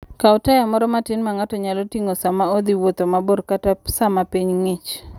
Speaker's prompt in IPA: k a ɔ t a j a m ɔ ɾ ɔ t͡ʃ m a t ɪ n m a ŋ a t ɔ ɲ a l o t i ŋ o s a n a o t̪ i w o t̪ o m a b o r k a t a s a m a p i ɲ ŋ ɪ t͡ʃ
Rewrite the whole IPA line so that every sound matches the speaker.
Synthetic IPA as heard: k a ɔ t a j a m ɔ ɾ ɔ m a t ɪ n m a ŋ a t ɔ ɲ a l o t i ŋ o s a m a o d̪ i w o t̪ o m a b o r k a t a s a m a p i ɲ ŋ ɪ t͡ʃ